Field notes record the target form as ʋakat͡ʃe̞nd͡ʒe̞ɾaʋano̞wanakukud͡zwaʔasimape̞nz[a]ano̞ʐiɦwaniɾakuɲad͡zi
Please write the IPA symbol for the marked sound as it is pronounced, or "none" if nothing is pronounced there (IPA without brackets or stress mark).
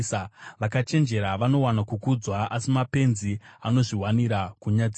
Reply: i